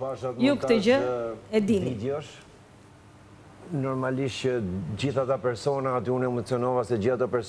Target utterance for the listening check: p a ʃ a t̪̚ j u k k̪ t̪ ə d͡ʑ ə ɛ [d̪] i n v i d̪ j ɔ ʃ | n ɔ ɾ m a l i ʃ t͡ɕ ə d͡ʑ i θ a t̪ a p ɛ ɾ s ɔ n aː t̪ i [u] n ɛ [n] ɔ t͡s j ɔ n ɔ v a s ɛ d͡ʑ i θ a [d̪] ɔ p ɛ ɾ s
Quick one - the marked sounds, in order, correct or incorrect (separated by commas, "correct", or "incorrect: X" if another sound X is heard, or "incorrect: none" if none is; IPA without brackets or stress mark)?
correct, correct, incorrect: m, incorrect: t̪